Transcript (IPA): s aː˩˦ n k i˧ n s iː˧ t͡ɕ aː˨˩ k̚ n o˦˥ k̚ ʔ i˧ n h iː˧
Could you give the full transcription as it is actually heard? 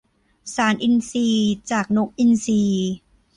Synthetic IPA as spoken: s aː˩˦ n ʔ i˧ n s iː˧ t͡ɕ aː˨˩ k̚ n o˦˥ k̚ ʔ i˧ n s iː˧